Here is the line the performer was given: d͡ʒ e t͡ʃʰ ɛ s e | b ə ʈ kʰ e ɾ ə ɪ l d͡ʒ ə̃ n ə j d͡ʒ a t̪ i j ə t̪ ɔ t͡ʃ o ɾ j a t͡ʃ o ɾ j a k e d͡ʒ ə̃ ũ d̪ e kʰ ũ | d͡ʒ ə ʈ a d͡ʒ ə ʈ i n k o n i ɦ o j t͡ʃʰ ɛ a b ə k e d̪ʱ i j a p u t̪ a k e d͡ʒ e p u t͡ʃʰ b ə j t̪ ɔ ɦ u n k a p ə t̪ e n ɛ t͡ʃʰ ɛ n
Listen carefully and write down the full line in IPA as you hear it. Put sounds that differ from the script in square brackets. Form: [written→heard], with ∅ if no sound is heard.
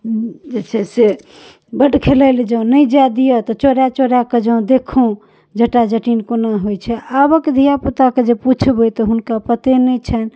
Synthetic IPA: d͡ʒ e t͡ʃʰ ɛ s e | b ə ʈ kʰ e [ɾ→l] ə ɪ l d͡ʒ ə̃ n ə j d͡ʒ a [t̪→d̪] i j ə t̪ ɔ t͡ʃ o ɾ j a t͡ʃ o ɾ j a k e d͡ʒ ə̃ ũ d̪ e kʰ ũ | d͡ʒ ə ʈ a d͡ʒ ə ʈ i n k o n [i→a] ɦ o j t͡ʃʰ ɛ a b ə k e d̪ʱ i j a p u t̪ a k e d͡ʒ e p u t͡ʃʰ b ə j t̪ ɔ ɦ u n k a p ə t̪ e n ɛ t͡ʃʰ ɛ n